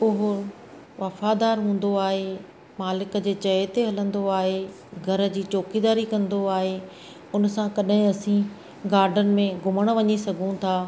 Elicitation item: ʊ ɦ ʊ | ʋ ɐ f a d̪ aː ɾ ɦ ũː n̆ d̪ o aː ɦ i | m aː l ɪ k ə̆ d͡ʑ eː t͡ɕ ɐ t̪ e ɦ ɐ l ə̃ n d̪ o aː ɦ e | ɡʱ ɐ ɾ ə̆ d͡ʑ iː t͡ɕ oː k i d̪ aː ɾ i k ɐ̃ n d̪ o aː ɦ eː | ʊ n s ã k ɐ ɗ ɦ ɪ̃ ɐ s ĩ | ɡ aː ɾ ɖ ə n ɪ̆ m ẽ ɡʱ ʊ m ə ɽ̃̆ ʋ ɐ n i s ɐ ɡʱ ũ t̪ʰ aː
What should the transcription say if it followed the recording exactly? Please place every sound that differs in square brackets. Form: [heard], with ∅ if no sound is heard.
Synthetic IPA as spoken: ʊ ɦ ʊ | ʋ ɐ f a d̪ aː ɾ ɦ ũː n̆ d̪ o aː ɦ [e] | m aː l ɪ k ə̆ d͡ʑ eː t͡ɕ ɐ t̪ e ɦ ɐ l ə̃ n d̪ o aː ɦ e | ɡʱ ɐ ɾ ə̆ d͡ʑ iː t͡ɕ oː k i d̪ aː ɾ i k ɐ̃ n d̪ o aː ɦ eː | ʊ n s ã k ɐ ɗ ɦ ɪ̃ ɐ s ĩ | ɡ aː ɾ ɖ ə n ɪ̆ m ẽ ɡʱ ʊ m ə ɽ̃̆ ʋ ɐ [ɲ] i s ɐ ɡʱ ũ t̪ʰ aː